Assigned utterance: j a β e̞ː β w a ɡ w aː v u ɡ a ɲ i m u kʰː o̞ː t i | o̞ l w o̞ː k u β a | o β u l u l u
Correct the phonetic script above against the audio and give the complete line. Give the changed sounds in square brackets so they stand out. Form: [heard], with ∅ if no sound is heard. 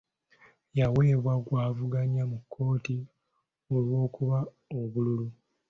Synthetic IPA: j a [w] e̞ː β w a ɡ w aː v u ɡ a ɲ [a] m u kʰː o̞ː t i | o̞ l w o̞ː k u β a | o β u l u l u